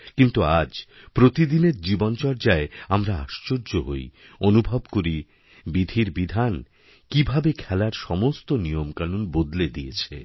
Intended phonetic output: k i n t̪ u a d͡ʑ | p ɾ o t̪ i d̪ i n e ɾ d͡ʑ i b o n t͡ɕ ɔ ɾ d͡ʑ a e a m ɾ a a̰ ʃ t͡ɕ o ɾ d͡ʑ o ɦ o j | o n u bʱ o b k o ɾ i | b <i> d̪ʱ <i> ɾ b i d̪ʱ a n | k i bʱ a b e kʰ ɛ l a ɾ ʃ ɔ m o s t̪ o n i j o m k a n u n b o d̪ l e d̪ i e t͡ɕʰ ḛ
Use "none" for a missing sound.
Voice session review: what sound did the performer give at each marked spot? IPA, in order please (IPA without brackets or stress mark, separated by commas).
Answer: i, i